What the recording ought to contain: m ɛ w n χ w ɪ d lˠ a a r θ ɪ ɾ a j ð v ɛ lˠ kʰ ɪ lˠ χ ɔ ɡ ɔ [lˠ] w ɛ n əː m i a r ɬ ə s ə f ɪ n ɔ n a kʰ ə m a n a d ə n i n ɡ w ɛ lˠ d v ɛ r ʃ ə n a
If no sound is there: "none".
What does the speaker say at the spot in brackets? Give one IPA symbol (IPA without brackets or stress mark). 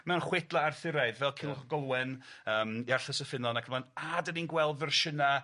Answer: lˠ